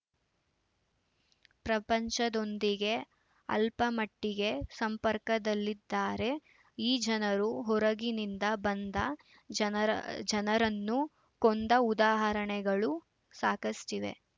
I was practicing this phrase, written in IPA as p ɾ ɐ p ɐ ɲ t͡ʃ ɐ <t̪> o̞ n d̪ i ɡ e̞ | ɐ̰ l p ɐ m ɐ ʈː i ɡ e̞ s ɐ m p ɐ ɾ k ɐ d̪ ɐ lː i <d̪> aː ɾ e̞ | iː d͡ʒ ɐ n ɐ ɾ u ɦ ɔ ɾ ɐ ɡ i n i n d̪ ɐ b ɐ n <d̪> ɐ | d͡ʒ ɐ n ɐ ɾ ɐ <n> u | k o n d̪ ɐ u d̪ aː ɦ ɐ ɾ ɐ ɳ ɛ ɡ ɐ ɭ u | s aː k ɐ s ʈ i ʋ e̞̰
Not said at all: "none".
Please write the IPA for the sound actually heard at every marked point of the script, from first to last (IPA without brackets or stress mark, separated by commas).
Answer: d̪, d̪ː, d̪, nː